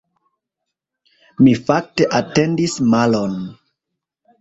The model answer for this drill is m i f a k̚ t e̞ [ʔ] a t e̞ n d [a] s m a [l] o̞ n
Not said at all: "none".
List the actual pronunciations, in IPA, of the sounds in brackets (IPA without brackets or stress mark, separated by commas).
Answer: ʔ, i, l